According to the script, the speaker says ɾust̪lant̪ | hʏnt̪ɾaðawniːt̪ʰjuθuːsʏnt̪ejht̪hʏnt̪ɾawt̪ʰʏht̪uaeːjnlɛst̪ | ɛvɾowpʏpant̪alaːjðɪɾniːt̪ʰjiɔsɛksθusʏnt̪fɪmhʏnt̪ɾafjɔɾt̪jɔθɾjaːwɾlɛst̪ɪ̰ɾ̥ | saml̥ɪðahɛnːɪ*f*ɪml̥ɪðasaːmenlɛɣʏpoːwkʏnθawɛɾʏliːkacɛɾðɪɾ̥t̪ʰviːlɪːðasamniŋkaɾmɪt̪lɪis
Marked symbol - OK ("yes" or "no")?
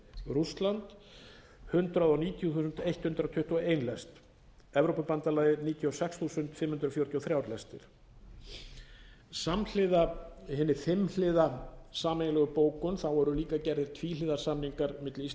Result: yes